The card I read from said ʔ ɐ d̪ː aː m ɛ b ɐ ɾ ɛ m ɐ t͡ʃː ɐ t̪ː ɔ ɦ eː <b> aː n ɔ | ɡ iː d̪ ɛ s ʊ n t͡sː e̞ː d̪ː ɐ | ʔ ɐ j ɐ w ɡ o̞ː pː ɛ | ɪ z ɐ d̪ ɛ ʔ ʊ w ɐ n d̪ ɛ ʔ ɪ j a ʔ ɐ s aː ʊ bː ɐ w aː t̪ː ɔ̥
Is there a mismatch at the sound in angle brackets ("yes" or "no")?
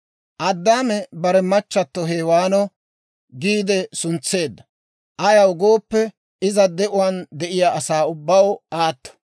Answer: yes